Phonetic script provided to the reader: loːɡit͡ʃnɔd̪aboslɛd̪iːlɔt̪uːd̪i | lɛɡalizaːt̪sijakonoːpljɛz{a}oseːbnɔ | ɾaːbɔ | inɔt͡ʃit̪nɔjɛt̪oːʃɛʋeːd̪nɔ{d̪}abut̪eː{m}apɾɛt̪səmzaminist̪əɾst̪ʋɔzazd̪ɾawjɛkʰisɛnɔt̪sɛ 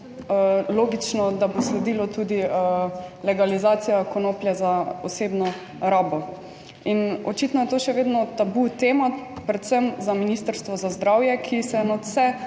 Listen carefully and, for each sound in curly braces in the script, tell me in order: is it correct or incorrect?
correct, incorrect: t̪, correct

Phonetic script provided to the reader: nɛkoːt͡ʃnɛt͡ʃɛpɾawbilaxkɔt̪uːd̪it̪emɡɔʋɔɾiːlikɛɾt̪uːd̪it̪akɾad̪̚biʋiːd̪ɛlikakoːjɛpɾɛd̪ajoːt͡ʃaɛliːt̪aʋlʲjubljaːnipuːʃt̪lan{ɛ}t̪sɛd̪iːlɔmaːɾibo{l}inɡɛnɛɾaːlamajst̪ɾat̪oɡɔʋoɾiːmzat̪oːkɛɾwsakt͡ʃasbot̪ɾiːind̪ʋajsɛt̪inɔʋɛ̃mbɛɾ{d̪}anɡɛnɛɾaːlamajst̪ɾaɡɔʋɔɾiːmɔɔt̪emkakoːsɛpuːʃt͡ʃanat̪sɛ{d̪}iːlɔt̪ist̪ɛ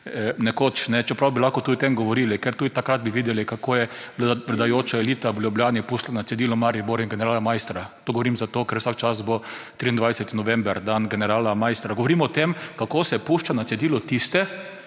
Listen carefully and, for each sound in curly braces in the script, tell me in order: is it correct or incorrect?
incorrect: a, incorrect: ɾ, correct, correct

